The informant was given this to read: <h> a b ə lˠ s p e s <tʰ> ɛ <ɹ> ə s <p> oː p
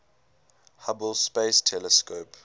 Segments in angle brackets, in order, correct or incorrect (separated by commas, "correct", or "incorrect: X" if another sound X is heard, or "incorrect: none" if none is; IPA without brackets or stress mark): correct, correct, incorrect: l, incorrect: k